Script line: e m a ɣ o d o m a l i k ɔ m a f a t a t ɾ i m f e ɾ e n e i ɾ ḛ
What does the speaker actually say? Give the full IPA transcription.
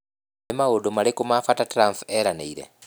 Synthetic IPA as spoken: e m a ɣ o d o m a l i k u m a f a t a t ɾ a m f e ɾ a n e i ɾ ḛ